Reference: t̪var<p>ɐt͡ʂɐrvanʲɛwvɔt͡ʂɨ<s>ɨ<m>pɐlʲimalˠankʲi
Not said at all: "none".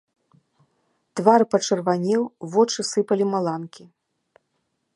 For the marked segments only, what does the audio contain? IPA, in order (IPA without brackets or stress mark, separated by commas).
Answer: p, s, none